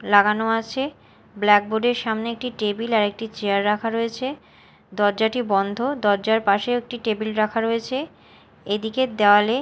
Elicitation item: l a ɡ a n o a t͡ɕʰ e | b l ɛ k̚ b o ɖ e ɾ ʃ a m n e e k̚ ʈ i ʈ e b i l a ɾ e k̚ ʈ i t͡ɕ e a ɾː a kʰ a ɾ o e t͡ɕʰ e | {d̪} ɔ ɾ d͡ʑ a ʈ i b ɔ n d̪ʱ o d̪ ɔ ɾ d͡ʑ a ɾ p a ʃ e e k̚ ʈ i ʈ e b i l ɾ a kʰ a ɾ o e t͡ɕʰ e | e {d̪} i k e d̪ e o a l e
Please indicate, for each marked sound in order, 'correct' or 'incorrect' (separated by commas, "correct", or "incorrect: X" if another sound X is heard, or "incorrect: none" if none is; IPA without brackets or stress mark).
correct, correct